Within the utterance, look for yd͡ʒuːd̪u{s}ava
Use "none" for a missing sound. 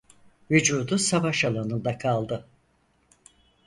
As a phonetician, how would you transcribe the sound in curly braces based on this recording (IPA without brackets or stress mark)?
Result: s